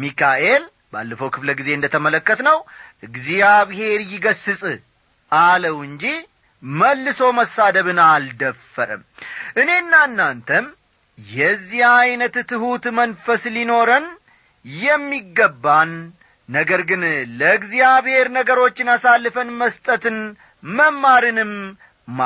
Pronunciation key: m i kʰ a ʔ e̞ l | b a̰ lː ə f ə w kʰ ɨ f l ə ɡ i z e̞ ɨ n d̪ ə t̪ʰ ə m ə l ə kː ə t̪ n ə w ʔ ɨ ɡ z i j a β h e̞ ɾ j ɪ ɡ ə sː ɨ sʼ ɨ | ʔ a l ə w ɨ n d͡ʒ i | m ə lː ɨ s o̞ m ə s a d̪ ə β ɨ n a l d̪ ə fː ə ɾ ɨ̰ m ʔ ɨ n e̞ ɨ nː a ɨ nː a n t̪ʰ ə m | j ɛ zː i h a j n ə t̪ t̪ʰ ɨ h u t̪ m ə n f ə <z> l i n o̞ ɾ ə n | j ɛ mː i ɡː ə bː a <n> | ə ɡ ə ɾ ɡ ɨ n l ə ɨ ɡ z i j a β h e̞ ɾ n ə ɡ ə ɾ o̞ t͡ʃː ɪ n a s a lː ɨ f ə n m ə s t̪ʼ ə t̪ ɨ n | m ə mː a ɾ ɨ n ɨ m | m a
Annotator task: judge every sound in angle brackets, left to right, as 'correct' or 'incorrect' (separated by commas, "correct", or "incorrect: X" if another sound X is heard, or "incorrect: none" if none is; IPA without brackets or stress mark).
incorrect: s, incorrect: nː